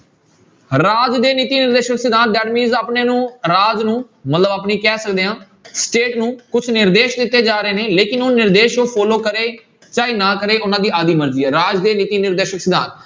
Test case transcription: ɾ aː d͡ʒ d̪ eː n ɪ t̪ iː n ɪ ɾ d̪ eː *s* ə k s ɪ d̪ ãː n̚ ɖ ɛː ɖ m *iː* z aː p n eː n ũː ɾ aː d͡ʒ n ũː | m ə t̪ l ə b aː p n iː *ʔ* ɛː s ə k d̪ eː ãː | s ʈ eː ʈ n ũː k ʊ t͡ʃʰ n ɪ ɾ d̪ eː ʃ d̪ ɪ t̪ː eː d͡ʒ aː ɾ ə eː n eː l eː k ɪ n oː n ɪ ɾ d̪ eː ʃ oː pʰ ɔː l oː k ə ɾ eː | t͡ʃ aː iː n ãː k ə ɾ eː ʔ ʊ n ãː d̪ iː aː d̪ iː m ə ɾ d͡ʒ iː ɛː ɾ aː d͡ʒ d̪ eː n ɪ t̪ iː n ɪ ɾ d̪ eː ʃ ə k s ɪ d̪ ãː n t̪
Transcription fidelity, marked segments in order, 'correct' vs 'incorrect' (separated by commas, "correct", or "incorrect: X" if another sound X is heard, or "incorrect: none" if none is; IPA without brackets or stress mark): incorrect: ʃ, correct, incorrect: k